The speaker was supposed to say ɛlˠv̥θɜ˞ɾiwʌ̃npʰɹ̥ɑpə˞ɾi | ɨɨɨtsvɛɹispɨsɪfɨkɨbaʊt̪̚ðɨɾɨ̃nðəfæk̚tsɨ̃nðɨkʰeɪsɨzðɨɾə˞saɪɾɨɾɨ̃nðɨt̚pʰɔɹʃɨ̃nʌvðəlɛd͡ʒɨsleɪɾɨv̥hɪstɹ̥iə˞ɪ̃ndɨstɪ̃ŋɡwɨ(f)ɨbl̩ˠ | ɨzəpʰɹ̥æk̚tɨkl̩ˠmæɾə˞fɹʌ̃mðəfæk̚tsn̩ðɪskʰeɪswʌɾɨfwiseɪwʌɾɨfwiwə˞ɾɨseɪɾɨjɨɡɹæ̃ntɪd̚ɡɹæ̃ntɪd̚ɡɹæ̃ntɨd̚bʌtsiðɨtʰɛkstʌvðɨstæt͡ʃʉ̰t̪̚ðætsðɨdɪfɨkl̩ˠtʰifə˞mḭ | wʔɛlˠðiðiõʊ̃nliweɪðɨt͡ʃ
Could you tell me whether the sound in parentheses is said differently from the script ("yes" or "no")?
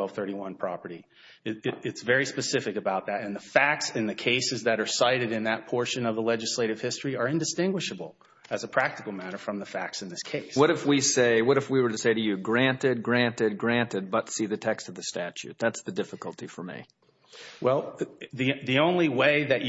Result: yes